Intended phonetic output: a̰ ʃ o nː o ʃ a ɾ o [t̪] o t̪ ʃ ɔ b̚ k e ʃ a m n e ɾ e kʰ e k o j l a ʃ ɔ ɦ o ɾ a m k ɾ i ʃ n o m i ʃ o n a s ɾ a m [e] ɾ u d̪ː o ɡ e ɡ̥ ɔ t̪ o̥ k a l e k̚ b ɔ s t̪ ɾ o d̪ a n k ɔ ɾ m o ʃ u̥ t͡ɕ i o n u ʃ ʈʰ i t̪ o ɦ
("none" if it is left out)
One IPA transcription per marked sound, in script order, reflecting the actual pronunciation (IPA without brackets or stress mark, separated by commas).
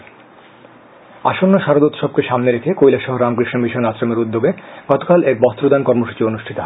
d̪, e